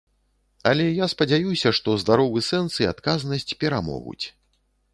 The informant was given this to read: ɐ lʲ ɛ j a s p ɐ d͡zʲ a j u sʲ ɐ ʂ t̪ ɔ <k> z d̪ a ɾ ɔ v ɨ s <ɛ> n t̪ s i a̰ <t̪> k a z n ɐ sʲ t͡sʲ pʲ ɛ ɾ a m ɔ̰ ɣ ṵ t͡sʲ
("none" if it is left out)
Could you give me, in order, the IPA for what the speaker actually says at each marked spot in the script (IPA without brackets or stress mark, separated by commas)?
none, ɛ, t̪